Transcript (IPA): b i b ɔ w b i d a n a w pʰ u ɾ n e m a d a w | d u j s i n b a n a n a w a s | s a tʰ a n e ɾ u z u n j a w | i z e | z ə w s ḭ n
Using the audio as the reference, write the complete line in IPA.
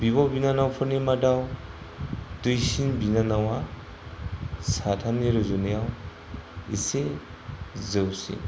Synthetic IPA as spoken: b i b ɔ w b i n a n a w pʰ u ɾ n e m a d a w | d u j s i n b i n a n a w a | s a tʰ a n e ɾ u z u n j a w | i s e | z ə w s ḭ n